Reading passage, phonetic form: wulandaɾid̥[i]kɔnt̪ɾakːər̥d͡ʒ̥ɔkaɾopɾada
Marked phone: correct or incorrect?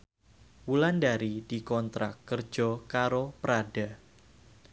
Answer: correct